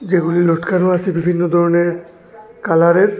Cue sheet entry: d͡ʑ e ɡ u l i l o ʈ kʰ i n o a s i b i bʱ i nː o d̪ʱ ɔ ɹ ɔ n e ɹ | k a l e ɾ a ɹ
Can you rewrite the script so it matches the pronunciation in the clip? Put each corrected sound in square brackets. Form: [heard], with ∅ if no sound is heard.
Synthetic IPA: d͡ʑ e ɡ u l i l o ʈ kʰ [a] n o a s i b i bʱ i nː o d̪ʱ ɔ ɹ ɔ n e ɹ | k a l [a] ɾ [e] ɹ